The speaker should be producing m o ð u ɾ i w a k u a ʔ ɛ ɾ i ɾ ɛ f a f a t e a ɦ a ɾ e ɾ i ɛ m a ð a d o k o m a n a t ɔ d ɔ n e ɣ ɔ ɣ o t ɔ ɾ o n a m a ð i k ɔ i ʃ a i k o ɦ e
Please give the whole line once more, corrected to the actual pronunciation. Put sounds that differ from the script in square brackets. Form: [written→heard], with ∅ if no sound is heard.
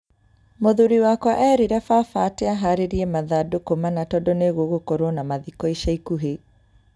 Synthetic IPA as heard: m o ð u ɾ i w a k [u→w] a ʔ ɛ ɾ i ɾ ɛ f a f a t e a ɦ a ɾ e ɾ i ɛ m a ð a d o k o m a n a t ɔ d ɔ n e ɣ [ɔ→o] ɣ o [t→k] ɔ ɾ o n a m a ð i k ɔ i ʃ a i k [o→u] ɦ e